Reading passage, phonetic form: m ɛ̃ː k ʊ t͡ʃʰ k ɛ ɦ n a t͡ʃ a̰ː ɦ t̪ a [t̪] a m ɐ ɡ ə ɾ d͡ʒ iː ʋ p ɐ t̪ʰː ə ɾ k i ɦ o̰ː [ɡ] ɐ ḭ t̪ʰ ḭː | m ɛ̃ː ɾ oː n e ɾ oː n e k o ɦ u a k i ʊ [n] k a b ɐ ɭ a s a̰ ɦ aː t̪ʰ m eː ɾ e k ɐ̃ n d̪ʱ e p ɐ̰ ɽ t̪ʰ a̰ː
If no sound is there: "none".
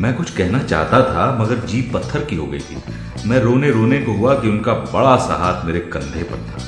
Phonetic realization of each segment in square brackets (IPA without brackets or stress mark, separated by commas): t̪ʰ, ɡ, n